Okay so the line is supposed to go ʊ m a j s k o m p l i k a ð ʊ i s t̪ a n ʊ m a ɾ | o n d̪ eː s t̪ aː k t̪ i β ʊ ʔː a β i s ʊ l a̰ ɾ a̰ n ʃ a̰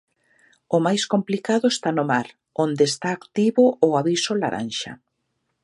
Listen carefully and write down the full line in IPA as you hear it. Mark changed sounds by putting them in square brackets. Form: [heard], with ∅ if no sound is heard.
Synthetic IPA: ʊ m a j s k o m p l i k a ð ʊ [e] s t̪ a n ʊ m a ɾ | o n d̪ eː s t̪ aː k t̪ i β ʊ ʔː a β i s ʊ l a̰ ɾ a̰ n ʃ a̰